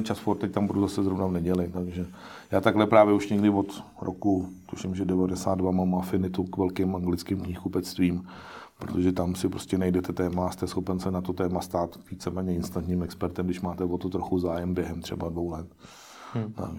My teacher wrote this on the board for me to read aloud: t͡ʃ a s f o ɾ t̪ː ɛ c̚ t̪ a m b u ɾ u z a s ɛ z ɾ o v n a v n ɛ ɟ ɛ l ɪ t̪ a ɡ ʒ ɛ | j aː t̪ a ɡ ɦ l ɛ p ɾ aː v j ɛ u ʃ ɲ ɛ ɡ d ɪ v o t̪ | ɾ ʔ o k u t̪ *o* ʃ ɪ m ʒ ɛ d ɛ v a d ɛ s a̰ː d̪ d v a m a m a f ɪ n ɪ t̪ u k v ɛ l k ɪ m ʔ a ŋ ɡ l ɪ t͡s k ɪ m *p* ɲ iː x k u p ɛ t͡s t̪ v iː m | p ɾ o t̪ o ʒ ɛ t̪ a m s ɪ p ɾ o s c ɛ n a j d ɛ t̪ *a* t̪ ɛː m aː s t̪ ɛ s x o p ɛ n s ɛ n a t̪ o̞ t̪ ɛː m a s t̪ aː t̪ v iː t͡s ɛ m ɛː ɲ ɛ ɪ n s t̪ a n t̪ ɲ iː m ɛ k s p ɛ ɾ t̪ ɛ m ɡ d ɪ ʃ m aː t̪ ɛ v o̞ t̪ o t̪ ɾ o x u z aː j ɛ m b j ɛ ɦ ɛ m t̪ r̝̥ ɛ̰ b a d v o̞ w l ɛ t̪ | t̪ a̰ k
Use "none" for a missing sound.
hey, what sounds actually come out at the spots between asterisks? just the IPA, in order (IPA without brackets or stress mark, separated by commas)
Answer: u, k, ɛ